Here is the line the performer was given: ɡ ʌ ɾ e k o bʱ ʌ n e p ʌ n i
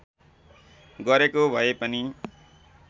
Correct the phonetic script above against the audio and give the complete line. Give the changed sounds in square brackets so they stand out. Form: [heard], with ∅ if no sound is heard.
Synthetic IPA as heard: ɡ ʌ ɾ e k o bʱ ʌ [∅] e p ʌ n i